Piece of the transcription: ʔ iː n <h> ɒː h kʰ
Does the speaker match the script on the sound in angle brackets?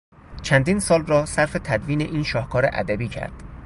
no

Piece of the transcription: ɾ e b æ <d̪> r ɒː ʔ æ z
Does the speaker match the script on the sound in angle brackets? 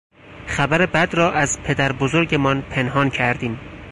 yes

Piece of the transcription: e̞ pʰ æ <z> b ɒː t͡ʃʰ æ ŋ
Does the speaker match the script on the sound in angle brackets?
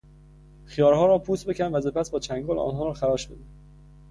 no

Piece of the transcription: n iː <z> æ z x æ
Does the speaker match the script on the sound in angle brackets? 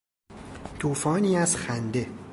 no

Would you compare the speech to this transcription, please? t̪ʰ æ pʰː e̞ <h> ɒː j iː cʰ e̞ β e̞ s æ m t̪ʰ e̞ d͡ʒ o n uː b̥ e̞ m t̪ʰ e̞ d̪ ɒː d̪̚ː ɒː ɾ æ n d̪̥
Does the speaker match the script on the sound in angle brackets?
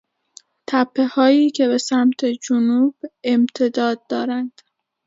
yes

